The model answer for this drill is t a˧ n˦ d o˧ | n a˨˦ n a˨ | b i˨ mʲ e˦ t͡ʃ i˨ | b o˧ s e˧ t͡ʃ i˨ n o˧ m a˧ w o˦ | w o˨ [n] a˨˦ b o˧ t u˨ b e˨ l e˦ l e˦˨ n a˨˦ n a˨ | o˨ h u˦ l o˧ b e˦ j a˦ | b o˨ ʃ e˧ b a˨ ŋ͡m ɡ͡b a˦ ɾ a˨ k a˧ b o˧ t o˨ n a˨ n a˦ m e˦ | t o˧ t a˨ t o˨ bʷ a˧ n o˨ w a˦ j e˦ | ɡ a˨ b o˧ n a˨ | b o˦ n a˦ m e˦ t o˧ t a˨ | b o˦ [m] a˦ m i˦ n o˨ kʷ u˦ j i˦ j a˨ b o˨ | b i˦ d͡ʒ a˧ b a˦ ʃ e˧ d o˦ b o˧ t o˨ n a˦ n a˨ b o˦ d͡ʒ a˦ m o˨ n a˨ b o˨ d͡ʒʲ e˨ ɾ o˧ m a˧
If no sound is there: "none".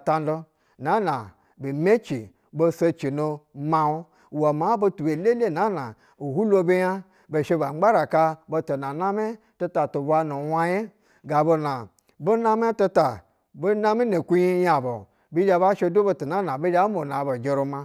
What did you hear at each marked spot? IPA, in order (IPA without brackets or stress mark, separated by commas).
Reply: m, n